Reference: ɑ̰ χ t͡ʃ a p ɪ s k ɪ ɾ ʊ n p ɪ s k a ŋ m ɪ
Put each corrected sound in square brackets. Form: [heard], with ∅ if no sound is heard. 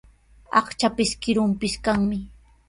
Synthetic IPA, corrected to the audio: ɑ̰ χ t͡ʃ a p ɪ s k ɪ ɾ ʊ [m] p ɪ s k a ŋ m ɪ